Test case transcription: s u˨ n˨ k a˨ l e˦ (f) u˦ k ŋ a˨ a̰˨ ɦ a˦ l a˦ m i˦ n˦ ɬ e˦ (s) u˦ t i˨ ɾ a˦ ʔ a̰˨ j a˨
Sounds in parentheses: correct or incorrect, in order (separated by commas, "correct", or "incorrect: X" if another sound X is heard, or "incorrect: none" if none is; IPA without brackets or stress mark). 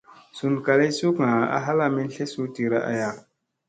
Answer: incorrect: s, correct